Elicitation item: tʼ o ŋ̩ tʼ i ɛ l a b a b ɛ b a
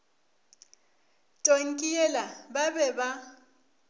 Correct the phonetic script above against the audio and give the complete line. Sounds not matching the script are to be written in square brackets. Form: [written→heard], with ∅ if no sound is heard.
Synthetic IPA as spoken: tʼ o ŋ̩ [tʼ→kʼ] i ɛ l a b a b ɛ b a